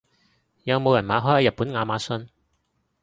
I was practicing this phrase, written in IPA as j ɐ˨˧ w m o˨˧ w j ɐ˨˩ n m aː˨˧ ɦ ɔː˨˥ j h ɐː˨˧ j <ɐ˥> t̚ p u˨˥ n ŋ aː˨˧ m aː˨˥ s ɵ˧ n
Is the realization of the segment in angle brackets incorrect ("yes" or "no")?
yes